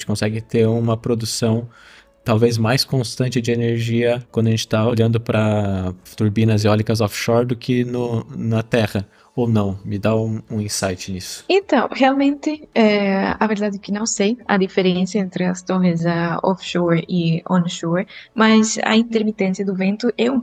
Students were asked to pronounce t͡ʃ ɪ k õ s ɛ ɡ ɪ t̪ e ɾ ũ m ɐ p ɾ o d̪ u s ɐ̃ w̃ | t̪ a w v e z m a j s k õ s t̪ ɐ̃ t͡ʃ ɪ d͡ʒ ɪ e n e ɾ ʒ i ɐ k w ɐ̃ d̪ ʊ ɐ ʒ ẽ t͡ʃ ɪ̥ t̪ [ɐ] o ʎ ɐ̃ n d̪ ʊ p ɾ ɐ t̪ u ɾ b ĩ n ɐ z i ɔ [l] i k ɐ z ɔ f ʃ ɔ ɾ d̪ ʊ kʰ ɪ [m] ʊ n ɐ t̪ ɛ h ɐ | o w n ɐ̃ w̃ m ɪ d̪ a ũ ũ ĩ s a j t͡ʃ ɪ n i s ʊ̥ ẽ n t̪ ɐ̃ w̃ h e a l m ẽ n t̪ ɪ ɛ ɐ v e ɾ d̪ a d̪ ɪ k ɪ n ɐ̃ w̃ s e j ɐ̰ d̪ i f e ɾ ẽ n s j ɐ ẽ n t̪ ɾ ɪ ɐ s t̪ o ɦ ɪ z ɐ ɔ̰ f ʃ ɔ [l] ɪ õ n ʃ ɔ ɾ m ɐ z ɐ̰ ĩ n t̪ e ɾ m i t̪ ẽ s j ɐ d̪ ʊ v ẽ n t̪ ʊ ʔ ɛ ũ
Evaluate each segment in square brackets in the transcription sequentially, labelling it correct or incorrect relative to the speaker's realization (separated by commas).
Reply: incorrect, correct, incorrect, incorrect